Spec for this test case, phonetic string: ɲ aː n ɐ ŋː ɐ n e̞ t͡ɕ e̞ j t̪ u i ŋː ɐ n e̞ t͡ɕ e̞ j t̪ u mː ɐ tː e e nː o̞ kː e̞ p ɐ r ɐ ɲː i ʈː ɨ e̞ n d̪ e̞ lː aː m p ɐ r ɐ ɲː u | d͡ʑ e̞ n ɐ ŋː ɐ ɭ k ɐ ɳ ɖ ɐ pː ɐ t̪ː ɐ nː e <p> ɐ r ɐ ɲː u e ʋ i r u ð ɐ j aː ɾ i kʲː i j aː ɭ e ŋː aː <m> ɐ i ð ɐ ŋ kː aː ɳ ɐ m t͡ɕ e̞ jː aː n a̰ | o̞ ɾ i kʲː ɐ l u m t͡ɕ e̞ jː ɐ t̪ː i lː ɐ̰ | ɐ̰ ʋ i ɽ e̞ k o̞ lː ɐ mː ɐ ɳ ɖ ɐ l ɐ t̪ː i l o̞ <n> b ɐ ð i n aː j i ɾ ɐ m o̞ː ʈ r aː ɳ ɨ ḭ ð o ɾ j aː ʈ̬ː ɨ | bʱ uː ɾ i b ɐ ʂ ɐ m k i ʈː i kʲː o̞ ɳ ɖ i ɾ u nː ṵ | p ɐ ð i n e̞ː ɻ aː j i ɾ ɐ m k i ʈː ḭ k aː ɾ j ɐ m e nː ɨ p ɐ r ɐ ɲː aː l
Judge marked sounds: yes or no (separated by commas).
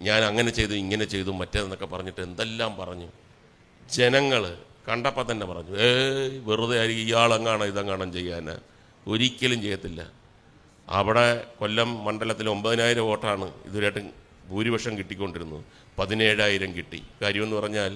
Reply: yes, no, no